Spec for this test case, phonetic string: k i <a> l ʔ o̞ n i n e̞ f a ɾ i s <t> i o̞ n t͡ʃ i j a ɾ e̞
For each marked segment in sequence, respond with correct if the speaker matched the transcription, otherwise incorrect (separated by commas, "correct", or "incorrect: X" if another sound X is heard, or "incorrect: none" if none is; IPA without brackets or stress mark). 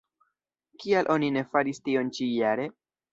correct, correct